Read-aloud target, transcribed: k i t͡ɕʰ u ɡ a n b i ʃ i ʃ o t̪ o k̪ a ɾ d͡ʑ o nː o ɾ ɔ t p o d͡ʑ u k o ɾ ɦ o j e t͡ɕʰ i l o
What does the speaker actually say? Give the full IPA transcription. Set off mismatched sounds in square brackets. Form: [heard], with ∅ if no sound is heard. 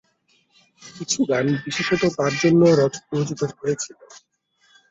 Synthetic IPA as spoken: k i t͡ɕʰ u ɡ a n b i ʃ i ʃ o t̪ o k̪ a ɾ d͡ʑ o nː o ɾ ɔ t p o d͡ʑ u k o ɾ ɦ o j e t͡ɕʰ i l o